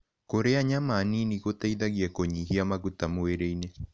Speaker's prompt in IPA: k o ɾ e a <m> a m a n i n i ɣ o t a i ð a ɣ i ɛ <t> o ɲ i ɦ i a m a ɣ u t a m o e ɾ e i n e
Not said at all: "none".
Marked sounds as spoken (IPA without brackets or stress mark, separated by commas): ɲ, k